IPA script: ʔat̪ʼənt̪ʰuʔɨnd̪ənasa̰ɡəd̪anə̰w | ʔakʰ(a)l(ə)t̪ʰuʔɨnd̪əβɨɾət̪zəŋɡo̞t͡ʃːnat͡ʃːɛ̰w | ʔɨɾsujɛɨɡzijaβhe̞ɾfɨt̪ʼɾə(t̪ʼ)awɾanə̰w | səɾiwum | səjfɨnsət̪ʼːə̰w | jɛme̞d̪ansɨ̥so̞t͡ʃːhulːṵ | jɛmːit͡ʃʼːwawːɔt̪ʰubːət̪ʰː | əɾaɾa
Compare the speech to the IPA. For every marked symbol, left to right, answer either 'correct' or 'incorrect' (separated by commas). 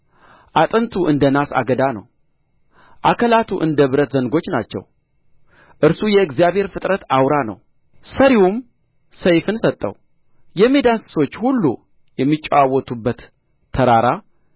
incorrect, incorrect, incorrect